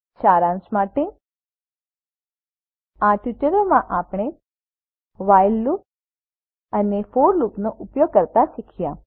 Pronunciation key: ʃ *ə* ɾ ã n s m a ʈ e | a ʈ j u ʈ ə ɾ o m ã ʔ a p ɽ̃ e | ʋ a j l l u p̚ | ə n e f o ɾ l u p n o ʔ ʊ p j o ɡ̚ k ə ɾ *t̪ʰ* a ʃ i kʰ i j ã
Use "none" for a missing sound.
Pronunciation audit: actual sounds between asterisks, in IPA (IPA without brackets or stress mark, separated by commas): a, t̪